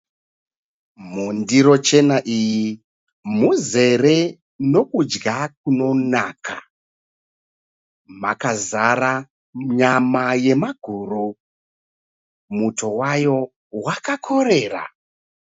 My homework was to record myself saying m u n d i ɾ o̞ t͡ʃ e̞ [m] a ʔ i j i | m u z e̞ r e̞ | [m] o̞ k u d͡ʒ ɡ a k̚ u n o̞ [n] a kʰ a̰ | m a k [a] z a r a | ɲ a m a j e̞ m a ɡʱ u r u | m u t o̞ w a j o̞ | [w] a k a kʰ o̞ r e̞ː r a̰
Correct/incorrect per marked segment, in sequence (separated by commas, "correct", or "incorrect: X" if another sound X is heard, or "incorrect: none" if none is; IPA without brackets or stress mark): incorrect: n, incorrect: n, correct, correct, correct